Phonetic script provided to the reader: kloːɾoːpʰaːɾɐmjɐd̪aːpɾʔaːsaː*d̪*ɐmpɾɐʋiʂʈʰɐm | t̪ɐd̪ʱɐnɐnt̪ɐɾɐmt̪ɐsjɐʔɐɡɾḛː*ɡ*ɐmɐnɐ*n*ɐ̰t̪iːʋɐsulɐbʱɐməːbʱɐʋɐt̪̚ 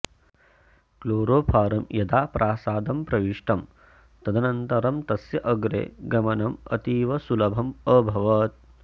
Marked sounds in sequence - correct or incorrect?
correct, correct, incorrect: m

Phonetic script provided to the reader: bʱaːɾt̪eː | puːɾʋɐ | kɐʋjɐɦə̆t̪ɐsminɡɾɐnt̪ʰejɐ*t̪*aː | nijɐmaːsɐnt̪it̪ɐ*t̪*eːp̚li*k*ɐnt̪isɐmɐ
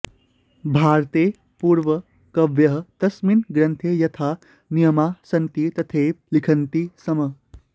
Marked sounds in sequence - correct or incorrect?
incorrect: t̪ʰ, incorrect: t̪ʰ, incorrect: kʰ

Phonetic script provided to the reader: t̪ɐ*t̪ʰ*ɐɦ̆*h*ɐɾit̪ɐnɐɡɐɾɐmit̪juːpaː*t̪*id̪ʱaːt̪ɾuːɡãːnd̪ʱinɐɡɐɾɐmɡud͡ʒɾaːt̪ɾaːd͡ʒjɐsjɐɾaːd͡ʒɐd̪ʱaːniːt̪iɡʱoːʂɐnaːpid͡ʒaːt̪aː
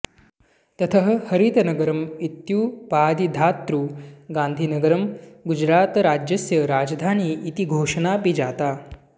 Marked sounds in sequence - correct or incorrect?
correct, correct, incorrect: d̪

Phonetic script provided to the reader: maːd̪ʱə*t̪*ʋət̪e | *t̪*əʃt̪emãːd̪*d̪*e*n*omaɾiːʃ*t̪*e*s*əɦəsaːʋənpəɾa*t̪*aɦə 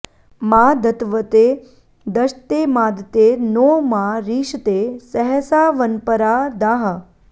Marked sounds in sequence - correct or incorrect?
correct, incorrect: d̪, incorrect: t̪, correct, correct, correct, incorrect: d̪

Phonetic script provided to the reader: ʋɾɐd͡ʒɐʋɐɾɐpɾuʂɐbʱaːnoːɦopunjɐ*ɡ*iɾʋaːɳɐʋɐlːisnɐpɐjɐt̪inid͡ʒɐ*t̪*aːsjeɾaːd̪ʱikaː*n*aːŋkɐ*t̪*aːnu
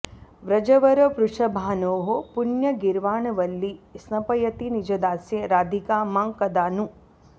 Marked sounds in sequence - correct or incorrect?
correct, incorrect: d̪, incorrect: m, incorrect: d̪

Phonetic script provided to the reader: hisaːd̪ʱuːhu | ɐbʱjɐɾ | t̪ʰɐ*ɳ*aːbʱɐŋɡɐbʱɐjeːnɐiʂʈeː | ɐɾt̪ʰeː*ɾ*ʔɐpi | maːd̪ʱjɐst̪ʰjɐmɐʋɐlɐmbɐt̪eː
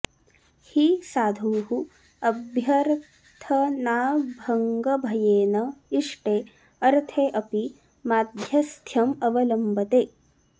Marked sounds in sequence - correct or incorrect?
incorrect: n, incorrect: none

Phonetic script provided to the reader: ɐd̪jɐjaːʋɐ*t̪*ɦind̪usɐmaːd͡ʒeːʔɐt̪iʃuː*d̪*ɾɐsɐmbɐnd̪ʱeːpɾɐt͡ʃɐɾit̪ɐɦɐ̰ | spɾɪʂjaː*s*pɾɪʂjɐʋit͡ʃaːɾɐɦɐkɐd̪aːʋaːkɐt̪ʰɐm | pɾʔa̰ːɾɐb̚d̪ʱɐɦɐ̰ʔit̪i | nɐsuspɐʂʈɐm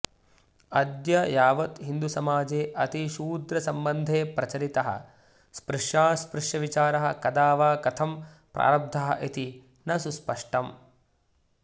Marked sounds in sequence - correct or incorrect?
correct, correct, correct

